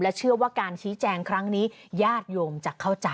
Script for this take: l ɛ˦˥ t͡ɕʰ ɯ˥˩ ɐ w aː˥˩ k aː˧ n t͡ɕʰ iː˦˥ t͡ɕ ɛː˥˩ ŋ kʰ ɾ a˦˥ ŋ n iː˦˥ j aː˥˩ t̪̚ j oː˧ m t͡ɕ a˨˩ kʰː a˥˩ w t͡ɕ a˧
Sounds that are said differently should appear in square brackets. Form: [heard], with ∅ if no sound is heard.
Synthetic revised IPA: l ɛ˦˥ t͡ɕʰ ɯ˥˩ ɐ w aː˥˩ k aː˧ n t͡ɕʰ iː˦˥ t͡ɕ [ɛː˧] ŋ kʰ ɾ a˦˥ ŋ n iː˦˥ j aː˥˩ t̪̚ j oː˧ m t͡ɕ a˨˩ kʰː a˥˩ w t͡ɕ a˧

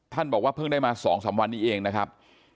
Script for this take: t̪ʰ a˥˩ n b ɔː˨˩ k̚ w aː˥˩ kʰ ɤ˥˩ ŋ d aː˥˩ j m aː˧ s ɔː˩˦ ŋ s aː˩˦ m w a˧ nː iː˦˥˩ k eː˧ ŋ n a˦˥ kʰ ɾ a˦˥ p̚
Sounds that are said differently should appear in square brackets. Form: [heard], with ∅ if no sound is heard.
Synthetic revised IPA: t̪ʰ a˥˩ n b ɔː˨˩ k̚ w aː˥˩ [pʰ] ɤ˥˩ ŋ d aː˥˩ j m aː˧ s ɔː˩˦ ŋ s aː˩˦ m w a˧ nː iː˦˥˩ [ʔ] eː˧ ŋ n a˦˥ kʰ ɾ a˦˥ p̚

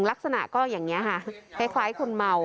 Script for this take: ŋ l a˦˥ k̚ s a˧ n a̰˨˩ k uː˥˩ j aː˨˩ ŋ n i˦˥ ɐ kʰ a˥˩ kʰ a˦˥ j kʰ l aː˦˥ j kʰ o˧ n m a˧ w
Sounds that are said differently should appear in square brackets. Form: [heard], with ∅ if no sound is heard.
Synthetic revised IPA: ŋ l a˦˥ k̚ s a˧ n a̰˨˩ k [ɔː˥˩] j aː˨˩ ŋ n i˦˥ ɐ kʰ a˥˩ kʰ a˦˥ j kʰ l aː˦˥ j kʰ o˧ n m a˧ w

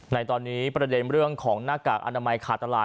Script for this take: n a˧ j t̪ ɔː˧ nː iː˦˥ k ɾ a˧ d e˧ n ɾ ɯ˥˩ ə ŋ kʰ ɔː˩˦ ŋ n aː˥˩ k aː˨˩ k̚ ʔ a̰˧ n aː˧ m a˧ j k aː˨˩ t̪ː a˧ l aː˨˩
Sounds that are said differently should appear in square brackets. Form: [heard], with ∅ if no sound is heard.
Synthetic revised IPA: n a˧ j t̪ ɔː˧ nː iː˦˥ [p] ɾ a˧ d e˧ n ɾ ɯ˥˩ ə ŋ kʰ ɔː˩˦ ŋ n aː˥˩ k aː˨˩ k̚ ʔ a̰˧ n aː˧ m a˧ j [kʰ] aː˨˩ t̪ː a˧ l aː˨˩

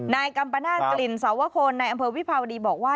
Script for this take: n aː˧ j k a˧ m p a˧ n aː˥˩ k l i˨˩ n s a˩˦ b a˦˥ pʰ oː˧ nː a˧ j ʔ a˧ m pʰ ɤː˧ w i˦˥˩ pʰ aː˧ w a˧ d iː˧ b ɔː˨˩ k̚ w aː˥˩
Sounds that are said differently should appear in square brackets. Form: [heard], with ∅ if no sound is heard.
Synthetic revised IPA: n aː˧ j k a˧ m p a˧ n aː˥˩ k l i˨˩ n s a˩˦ [w] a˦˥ [kʰ] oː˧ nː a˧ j ʔ a˧ m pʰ ɤː˧ w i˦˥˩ pʰ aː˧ w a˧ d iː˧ b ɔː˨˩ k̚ w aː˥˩

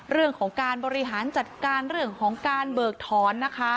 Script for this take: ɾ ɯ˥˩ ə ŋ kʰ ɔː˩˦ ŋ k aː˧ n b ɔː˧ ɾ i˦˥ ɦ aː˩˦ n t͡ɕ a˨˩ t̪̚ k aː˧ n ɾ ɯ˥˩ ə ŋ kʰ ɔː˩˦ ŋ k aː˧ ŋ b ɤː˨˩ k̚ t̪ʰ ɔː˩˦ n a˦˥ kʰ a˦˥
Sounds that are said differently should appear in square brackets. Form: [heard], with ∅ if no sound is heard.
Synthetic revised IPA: ɾ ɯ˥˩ ə ŋ kʰ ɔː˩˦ ŋ k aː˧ n b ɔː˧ ɾ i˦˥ ɦ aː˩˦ n t͡ɕ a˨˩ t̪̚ k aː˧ n ɾ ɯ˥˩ ə ŋ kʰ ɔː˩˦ ŋ k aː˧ [n] b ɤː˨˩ k̚ t̪ʰ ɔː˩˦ [nː] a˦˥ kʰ a˦˥

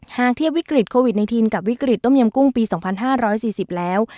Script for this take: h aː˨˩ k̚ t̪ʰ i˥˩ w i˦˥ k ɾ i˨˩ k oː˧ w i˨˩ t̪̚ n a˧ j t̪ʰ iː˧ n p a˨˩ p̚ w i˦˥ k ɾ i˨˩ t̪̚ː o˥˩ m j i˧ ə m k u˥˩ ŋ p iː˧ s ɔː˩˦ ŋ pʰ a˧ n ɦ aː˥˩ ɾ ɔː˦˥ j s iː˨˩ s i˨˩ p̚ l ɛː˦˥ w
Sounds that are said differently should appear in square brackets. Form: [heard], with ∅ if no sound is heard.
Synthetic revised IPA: h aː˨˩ k̚ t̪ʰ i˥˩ w i˦˥ k ɾ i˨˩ [kʰ] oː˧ w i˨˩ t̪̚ n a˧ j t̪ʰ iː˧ n [k] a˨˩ p̚ w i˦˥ k ɾ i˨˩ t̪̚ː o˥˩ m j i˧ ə m k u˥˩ ŋ p iː˧ s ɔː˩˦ ŋ pʰ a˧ n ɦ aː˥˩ ɾ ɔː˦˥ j s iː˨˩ s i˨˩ p̚ l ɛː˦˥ w

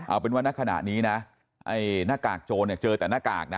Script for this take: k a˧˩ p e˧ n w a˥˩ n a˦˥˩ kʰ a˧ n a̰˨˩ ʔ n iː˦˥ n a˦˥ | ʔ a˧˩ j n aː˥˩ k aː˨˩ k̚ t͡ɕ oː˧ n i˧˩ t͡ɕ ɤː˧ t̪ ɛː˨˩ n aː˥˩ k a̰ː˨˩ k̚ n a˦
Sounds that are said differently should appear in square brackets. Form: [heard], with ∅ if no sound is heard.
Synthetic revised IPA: [ʔ] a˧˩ p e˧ n w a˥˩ n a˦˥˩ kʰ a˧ n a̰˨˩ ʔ n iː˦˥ n a˦˥ | ʔ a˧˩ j n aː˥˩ k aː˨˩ k̚ t͡ɕ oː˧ n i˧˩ t͡ɕ ɤː˧ t̪ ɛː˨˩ n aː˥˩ k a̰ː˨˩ k̚ n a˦

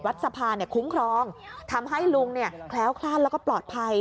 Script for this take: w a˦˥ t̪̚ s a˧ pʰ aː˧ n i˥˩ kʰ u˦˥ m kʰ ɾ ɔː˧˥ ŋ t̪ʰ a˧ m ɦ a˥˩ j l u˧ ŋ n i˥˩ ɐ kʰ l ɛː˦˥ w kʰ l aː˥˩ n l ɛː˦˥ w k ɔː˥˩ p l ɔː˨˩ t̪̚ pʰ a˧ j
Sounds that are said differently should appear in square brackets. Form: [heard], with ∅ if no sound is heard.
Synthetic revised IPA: w a˦˥ t̪̚ s a˧ pʰ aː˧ n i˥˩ kʰ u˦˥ m kʰ ɾ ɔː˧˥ ŋ t̪ʰ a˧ m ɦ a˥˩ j l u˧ ŋ n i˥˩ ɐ kʰ l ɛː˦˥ w kʰ l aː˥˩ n l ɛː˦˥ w k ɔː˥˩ p l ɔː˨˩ t̪̚ pʰ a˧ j

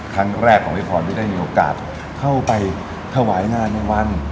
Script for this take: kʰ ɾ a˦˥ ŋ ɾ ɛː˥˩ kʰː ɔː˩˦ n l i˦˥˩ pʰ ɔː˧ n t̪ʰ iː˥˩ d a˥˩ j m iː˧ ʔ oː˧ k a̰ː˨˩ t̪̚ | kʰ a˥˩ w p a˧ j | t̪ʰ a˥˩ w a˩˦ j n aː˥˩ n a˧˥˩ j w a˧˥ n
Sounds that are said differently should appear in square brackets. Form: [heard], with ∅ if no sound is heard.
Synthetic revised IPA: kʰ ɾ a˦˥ ŋ ɾ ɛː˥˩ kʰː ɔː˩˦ [ŋ] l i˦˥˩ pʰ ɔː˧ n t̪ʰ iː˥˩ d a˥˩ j m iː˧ ʔ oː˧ k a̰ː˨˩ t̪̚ | kʰ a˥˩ w p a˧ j | t̪ʰ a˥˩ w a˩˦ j n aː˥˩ n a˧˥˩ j w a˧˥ n

